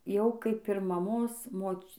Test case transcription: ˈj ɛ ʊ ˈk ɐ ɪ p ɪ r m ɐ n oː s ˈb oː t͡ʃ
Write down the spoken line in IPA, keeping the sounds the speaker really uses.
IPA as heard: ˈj ɛ ʊ ˈk ɐ ɪ p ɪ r m ɐ m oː s ˈm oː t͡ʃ